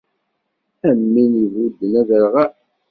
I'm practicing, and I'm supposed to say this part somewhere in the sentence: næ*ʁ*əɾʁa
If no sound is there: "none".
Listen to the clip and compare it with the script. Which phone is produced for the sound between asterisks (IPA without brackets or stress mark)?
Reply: ð